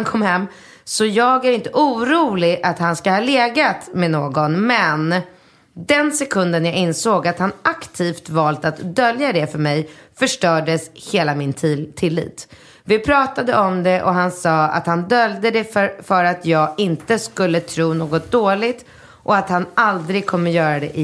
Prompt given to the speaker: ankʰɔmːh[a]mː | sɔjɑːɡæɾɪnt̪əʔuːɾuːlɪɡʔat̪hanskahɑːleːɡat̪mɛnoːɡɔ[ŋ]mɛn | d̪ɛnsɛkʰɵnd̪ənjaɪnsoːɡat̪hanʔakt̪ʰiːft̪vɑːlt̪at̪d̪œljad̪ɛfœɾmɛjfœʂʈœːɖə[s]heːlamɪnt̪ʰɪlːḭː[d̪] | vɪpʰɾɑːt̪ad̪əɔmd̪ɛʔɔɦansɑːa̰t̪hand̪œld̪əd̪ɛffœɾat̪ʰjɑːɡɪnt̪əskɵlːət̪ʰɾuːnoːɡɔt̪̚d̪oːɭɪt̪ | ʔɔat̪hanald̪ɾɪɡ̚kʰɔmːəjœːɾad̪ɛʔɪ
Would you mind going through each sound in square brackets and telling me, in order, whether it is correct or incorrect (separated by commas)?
incorrect, incorrect, correct, incorrect